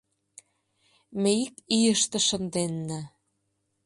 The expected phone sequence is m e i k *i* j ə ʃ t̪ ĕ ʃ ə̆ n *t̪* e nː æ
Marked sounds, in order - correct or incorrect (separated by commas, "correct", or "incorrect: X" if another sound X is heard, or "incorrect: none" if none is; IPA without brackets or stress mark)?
correct, incorrect: d̪